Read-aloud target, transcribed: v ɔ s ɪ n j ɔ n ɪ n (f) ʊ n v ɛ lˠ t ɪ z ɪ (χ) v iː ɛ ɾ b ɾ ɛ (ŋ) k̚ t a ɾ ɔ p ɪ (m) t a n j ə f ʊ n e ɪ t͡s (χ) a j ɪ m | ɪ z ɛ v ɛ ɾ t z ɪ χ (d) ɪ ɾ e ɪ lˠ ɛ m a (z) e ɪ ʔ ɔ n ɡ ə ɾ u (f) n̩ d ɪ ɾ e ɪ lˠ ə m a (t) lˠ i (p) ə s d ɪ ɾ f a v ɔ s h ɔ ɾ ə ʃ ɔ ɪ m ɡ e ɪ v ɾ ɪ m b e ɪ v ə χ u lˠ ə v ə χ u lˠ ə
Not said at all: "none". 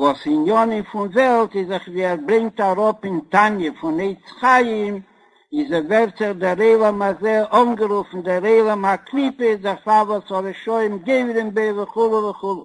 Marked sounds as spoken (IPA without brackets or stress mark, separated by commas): f, χ, ŋ, n, χ, d, z, f, k, p